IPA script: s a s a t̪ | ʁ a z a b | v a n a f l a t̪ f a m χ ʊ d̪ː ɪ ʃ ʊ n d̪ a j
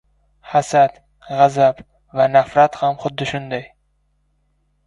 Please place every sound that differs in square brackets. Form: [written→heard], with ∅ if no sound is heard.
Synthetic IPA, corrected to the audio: [s→h] a s a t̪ | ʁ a z a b | v a n a f [l→ɾ] a t̪ [f→h] a m χ ʊ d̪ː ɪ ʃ ʊ n d̪ a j